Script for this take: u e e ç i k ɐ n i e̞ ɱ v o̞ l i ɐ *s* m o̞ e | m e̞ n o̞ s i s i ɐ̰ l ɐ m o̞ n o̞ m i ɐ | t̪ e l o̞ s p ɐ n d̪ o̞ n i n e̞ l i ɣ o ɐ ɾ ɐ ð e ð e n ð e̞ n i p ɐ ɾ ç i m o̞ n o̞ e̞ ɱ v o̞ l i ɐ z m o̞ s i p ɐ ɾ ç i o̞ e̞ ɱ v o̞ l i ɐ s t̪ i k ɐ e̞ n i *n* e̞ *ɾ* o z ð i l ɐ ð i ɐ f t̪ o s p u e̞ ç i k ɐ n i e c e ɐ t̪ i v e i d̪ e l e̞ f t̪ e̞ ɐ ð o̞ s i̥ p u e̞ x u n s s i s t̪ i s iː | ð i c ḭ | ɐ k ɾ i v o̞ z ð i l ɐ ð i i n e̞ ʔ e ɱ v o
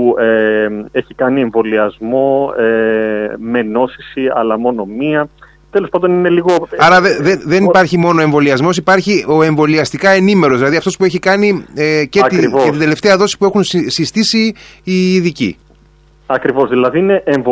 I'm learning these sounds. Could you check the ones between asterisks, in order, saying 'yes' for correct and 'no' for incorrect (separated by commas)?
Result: no, no, yes